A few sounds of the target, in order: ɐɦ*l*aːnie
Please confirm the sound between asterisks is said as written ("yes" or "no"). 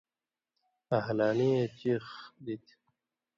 yes